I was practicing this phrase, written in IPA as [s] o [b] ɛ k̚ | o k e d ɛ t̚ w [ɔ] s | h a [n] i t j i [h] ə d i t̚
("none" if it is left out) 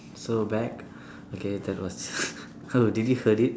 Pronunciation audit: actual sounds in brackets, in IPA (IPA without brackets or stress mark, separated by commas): s, b, ɔ, d, h